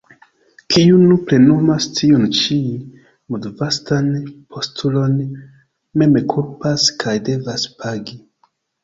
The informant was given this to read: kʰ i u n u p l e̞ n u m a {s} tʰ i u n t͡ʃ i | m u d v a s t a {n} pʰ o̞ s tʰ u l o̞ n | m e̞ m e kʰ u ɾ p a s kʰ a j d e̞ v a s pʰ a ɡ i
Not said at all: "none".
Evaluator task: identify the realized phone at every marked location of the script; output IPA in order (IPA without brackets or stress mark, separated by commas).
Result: s, n